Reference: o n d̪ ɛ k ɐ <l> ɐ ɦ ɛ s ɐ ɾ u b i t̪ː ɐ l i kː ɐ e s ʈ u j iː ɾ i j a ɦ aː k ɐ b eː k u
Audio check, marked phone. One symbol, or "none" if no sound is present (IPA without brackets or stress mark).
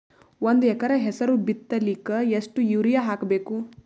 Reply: ɾ